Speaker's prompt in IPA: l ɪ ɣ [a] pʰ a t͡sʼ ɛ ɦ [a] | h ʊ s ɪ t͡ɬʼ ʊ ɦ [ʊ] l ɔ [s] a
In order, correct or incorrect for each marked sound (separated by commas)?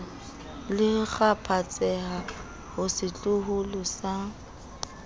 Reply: correct, correct, correct, correct